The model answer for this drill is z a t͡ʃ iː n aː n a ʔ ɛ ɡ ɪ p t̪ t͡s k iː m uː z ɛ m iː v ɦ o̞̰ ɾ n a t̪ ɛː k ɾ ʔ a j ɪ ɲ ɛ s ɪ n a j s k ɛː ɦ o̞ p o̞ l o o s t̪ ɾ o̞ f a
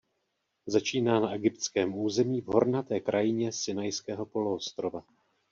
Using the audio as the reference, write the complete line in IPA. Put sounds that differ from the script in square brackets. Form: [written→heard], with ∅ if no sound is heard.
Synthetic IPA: z a t͡ʃ iː n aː n a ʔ ɛ ɡ ɪ p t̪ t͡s k [iː→ɛː] m uː z ɛ m iː v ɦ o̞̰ ɾ n a t̪ ɛː k ɾ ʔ a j ɪ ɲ ɛ s ɪ n a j s k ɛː ɦ o̞ p o̞ l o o s t̪ ɾ o̞ [f→v] a